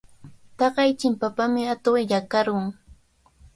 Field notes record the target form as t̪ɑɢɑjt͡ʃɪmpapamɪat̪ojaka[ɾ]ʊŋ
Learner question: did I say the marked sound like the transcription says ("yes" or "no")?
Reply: yes